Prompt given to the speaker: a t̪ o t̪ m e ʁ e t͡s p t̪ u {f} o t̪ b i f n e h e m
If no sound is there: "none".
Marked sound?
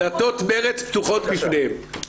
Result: χ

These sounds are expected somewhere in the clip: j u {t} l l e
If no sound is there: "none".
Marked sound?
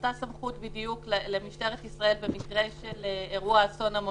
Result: k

